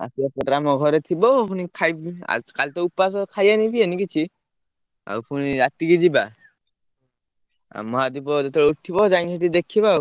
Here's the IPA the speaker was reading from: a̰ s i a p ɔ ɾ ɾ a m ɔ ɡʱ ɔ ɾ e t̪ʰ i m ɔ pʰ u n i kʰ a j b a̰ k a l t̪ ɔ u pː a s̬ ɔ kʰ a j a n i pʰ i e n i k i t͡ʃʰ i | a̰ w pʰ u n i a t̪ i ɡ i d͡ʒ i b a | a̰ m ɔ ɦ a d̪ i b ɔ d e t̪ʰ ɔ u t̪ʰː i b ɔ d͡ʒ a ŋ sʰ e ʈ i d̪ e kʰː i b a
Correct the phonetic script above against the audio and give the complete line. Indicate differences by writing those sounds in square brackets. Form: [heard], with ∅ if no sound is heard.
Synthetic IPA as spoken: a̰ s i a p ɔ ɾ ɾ a m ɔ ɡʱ ɔ ɾ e t̪ʰ i [b] ɔ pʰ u n i kʰ a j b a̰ k a l t̪ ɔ u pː a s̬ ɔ kʰ a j a n i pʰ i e n i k i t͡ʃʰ i | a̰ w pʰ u n i a t̪ i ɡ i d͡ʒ i b a | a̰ m ɔ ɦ a d̪ i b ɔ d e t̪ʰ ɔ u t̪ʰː i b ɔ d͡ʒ a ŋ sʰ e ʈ i d̪ e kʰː i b a